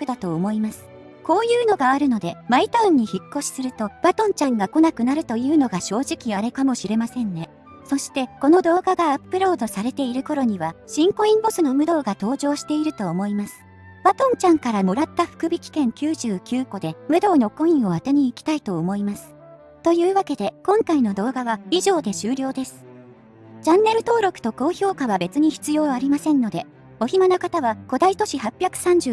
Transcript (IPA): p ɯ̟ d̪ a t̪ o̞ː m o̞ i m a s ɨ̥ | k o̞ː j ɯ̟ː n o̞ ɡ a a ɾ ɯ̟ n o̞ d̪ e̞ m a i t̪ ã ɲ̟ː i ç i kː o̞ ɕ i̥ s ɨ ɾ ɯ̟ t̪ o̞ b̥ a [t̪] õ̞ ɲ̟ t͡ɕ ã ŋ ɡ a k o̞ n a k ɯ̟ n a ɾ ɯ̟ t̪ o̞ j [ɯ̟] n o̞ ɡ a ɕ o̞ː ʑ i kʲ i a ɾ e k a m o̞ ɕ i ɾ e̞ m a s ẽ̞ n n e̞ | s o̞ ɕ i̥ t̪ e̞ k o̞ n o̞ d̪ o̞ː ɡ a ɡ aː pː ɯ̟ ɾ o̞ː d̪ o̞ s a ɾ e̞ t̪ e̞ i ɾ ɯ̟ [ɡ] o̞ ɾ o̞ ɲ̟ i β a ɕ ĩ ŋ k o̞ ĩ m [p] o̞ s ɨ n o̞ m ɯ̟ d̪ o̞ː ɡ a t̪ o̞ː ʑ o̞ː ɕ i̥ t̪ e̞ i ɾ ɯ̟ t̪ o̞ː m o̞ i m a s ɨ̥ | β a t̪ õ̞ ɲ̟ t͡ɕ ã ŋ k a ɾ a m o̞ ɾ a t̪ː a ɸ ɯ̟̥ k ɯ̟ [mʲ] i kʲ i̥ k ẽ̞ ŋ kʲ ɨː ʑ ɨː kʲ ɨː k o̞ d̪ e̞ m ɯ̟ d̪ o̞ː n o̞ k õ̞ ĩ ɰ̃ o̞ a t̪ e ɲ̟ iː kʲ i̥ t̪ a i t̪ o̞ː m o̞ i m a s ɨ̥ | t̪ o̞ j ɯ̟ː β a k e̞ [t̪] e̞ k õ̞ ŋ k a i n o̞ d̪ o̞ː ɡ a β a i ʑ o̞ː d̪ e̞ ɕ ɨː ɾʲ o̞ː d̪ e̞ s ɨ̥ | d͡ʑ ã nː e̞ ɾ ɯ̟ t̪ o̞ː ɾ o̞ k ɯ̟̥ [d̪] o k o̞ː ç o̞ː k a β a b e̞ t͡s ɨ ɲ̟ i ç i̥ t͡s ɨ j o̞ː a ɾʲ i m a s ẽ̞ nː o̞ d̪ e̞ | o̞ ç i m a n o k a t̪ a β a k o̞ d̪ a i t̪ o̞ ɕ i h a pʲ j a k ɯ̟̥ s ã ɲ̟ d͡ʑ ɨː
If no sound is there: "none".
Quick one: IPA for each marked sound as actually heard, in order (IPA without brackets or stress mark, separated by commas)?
t̪, ɯ̟ː, k, b, bʲ, d̪, t̪